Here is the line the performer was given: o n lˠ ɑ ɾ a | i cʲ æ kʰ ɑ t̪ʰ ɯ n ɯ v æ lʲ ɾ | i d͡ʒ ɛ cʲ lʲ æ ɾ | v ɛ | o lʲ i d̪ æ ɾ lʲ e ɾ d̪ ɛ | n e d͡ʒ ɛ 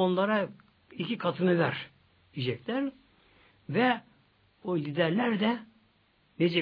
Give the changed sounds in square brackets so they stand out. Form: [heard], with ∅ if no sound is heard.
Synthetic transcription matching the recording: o n lˠ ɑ ɾ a | i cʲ [i] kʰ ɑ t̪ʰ ɯ n ɯ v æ [∅] ɾ | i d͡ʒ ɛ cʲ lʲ æ ɾ | v ɛ | o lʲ i d̪ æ ɾ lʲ [æ] ɾ d̪ ɛ | n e d͡ʒ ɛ